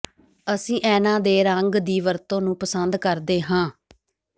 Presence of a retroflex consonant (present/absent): absent